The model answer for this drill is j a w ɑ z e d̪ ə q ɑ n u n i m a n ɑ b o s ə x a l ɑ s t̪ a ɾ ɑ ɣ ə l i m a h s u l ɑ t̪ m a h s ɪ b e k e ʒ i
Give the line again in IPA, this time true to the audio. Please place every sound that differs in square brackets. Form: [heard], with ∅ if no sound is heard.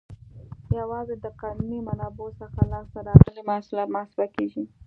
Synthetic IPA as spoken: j a w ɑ z e d̪ ə q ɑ n u n i m a n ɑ b o s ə x a l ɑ s t̪ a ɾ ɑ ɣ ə l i m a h s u l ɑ t̪ m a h s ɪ b [a] k e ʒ i

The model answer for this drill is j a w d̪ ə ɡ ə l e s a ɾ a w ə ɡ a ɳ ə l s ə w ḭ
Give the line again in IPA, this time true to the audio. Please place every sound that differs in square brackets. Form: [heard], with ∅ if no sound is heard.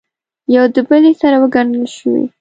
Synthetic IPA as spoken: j a w d̪ ə [b] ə l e s a ɾ a w ə ɡ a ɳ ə l [ʃ] ə w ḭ

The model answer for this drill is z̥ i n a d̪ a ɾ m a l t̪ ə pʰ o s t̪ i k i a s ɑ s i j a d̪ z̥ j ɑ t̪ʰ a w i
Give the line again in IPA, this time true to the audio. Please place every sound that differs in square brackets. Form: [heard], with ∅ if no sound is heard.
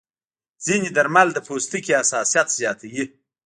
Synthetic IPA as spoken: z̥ i n [i] d̪ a ɾ m a l [d̪] ə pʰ o s t̪ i k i a s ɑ s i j a [t̪] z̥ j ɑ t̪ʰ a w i

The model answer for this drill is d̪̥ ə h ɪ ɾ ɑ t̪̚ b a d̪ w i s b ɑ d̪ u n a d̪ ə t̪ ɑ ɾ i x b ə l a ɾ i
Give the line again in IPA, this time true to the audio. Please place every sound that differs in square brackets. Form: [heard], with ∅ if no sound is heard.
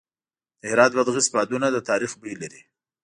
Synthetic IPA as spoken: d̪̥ ə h ɪ ɾ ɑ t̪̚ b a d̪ [ɣ] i s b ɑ d̪ u n a d̪ ə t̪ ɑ ɾ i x b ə l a ɾ i

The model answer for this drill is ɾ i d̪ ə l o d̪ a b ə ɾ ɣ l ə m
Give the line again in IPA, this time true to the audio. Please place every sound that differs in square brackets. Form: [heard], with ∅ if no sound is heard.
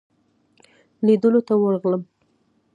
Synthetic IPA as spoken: [l] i d̪ ə l o [t̪] a [w] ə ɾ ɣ l ə m

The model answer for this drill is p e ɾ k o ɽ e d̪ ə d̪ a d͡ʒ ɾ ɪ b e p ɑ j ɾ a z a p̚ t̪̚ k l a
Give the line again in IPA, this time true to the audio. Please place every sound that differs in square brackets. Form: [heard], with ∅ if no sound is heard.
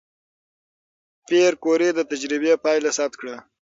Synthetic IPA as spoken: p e ɾ k o [ɾ] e d̪ ə [t̪] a d͡ʒ ɾ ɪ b e p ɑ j [l] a [s] a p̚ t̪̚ k [ɽ] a

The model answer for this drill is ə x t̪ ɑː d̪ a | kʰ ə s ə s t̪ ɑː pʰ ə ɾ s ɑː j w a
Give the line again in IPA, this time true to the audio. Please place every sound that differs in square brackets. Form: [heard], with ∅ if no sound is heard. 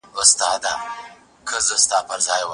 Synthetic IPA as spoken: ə [s] t̪ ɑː d̪ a | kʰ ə [z] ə s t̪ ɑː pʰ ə ɾ [z] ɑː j w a

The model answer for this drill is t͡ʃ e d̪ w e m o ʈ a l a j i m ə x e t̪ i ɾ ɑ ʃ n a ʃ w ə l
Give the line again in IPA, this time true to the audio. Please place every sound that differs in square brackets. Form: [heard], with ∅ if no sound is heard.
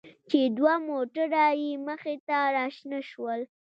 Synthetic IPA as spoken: t͡ʃ e d̪ w [a] m o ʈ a [ɾ] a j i m ə x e t̪ [a] ɾ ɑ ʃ n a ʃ w ə l

